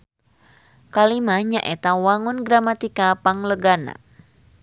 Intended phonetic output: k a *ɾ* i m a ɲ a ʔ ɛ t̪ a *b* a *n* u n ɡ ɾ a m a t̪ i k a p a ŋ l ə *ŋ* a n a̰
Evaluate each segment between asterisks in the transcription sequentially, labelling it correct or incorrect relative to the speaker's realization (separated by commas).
incorrect, incorrect, incorrect, incorrect